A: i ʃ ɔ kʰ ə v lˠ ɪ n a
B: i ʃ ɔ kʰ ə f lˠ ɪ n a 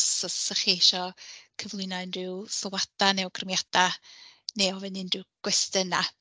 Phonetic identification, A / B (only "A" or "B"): A